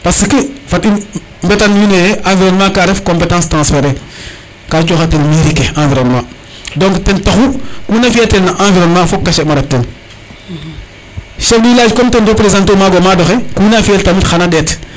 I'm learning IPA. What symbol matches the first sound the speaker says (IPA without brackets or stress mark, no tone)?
p